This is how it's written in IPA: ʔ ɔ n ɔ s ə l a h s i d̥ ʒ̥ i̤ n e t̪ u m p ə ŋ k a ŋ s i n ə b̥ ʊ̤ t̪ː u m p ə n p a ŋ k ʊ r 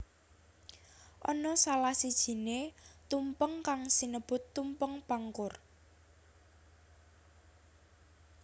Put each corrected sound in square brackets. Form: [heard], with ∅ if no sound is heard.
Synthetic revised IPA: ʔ ɔ n ɔ s [a] l a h s i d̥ ʒ̥ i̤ n e t̪ u m p ə ŋ k a ŋ s i n ə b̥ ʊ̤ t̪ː u m p ə [ŋ] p a ŋ k ʊ r